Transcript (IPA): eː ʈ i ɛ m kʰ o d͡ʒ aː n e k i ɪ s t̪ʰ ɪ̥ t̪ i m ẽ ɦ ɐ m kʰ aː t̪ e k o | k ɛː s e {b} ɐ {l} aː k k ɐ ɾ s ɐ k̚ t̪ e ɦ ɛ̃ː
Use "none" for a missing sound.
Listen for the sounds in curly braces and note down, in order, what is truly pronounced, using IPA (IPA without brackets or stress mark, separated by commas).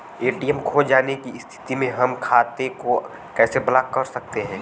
b, l